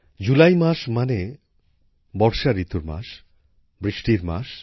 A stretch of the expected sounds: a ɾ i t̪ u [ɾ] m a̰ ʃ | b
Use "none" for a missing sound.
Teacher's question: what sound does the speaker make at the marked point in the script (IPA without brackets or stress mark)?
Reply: ɾ